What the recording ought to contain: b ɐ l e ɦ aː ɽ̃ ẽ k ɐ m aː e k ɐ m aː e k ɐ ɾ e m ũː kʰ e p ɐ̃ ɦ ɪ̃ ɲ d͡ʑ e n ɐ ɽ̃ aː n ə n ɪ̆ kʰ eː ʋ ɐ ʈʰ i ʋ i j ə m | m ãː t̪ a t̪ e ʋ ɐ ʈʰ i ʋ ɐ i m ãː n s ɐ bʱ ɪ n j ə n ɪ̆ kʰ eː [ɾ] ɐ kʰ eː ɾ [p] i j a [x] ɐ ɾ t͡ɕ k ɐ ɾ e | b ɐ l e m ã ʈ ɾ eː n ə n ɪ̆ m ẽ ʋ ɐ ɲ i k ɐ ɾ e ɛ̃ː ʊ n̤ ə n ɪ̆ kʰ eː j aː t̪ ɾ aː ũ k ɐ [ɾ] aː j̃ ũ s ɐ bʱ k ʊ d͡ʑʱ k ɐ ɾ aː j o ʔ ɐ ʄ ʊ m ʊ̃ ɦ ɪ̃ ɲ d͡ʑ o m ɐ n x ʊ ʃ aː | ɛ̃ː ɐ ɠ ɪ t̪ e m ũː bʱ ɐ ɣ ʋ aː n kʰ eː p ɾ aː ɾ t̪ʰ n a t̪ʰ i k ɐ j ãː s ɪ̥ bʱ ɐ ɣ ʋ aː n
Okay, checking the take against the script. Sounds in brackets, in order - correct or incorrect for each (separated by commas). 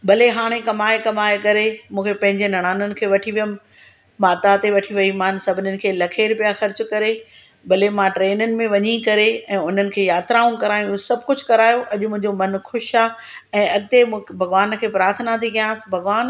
incorrect, correct, correct, correct